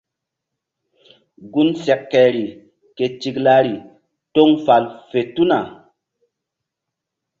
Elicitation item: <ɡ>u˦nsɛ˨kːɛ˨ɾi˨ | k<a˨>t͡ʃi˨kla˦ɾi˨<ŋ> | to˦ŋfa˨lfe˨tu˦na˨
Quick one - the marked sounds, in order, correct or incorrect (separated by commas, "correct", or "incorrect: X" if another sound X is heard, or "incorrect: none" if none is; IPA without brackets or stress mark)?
correct, incorrect: e˨, incorrect: none